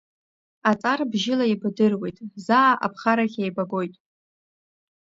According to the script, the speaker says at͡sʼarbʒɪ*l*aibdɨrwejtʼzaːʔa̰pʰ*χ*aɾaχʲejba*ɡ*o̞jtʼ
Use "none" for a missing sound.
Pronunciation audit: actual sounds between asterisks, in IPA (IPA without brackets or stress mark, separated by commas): l, χ, ɡ